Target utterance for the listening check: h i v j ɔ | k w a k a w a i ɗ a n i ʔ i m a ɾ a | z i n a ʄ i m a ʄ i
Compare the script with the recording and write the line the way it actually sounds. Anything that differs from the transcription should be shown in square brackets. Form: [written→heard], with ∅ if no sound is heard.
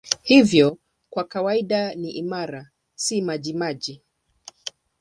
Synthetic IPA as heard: h i v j ɔ | k w a k a w a i ɗ a n i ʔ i m a ɾ a | [z→s] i [n→m] a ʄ i m a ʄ i